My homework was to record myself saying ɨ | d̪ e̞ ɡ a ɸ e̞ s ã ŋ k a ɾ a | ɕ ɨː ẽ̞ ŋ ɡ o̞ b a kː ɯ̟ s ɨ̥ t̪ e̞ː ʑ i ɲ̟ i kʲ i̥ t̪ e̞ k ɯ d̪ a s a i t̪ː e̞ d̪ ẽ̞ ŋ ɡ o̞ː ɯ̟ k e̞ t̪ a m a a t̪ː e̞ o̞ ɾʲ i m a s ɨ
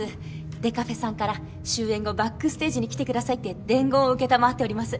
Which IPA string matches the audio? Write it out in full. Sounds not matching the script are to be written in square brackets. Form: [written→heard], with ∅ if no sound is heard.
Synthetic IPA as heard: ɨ | d̪ e̞ [ɡ→k] a ɸ e̞ s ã ŋ k a ɾ a | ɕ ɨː ẽ̞ ŋ ɡ o̞ b a kː ɯ̟ s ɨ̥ t̪ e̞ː ʑ i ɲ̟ i kʲ i̥ t̪ e̞ k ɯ d̪ a s a i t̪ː e̞ d̪ ẽ̞ ŋ ɡ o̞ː ɯ̟ k e̞ t̪ a m a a t̪ː e̞ o̞ ɾʲ i m a s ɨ